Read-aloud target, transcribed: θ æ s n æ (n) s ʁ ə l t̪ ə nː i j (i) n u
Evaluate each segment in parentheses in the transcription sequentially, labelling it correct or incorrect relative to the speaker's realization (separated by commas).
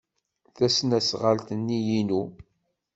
incorrect, correct